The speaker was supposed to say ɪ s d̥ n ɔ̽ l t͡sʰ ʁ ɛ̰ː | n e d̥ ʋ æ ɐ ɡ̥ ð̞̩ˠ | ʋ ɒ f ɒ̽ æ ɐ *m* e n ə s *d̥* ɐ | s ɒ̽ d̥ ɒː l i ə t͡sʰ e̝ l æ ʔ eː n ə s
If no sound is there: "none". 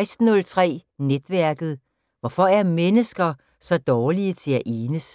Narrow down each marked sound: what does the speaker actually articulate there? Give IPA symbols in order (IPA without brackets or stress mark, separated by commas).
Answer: m, ɡ̥